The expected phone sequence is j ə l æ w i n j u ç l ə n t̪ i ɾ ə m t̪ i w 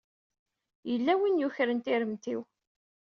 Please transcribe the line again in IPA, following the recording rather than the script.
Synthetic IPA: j ə lː æ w i n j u ç ɾ ə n t̪ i ɾ ə m t̪ i w